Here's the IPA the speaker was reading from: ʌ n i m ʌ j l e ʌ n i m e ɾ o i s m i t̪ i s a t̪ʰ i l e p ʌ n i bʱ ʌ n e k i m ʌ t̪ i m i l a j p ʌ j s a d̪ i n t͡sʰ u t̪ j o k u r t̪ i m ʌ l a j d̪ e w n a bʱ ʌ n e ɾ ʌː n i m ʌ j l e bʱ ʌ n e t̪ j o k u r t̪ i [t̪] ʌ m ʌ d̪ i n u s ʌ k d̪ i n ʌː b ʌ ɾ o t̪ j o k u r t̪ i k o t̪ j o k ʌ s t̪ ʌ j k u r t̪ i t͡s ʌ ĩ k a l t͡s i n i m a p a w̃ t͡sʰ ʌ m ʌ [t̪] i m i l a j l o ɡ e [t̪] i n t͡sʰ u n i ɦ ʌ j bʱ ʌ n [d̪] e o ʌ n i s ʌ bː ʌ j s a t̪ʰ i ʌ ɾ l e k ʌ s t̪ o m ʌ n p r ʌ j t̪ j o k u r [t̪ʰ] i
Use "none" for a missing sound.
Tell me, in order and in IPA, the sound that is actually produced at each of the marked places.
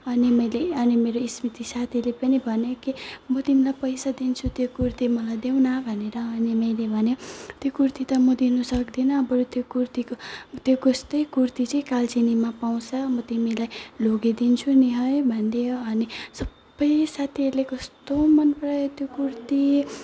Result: t̪, t̪, d̪, d̪, t̪

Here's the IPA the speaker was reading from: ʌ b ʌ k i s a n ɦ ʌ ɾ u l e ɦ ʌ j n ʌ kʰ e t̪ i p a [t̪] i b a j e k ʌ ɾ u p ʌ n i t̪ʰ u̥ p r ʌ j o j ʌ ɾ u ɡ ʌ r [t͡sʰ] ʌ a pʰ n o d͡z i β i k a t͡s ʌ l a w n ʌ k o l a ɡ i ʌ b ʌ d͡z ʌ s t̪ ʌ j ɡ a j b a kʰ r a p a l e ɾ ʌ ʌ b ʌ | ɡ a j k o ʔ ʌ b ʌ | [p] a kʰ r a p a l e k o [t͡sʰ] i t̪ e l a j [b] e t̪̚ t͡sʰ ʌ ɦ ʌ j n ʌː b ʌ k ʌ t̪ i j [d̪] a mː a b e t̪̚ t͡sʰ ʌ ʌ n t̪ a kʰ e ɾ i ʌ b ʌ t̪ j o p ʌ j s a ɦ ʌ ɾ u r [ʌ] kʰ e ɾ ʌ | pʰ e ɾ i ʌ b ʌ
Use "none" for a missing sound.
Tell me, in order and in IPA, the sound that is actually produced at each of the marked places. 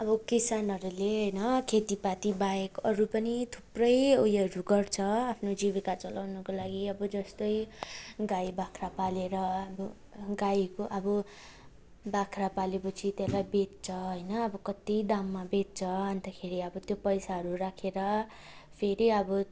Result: t̪, t͡sʰ, b, t͡sʰ, b, d̪, a

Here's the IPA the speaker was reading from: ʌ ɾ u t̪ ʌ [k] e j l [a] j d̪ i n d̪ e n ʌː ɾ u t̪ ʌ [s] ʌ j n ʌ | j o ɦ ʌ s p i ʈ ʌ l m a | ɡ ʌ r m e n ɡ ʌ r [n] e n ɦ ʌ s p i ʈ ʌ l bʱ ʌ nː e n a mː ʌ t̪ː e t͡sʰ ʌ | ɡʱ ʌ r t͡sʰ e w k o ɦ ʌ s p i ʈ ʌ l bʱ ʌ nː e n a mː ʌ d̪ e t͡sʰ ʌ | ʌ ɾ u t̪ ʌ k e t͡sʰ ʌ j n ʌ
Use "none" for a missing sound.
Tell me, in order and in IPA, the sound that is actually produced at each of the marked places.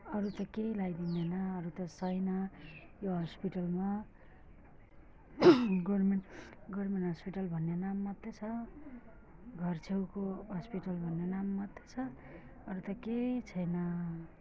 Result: k, a, s, m

